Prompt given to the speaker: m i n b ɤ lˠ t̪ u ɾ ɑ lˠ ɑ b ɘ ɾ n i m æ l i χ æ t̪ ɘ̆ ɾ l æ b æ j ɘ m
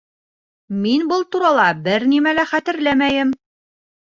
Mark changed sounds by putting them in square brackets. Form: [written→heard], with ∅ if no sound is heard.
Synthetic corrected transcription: m i n b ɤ lˠ t̪ u ɾ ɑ lˠ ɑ b ɘ ɾ n i m æ l [i→æ] χ æ t̪ ɘ̆ ɾ l æ [b→m] æ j ɘ m